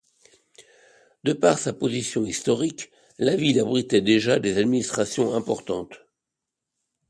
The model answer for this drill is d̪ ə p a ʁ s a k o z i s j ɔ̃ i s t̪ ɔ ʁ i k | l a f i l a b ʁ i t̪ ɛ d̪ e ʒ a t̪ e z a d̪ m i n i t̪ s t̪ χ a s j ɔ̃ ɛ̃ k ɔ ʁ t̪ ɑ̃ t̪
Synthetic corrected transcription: d̪ ə p a ʁ s a p o z i s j ɔ̃ i s t̪ ɔ ʁ i k | l a v i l a b ʁ i t̪ ɛ d̪ e ʒ a d̪ e z a d̪ m i n i s t̪ χ a s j ɔ̃ ɛ̃ p ɔ ʁ t̪ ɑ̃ t̪